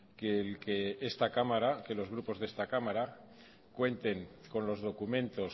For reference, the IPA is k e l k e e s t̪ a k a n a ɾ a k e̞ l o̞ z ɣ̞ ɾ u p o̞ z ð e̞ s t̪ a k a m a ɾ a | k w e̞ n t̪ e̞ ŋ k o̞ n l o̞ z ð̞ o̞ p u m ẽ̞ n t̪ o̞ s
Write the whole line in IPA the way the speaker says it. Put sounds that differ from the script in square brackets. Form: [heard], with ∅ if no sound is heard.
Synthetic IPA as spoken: k e l k e e s t̪ a k a [m] a ɾ a k e̞ l o̞ z ɣ̞ ɾ u p o̞ z ð e̞ s t̪ a k a m a ɾ a | k w e̞ n t̪ e̞ ŋ k o̞ n l o̞ z ð̞ o̞ [k] u m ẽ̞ n t̪ o̞ s